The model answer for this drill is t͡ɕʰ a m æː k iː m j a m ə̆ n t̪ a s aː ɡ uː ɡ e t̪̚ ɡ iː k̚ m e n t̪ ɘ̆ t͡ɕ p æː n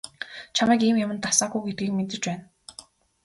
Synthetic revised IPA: t͡ɕʰ a m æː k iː m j a m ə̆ n t̪ a s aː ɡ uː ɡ e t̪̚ ɡ iː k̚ m e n t̪ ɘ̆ t͡ɕ p æː n